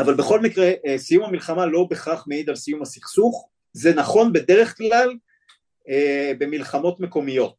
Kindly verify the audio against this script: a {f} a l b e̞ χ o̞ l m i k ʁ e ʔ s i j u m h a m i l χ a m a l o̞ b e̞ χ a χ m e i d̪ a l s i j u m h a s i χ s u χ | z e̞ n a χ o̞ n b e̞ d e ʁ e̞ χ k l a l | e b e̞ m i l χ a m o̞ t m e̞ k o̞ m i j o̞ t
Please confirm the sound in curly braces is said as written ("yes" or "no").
no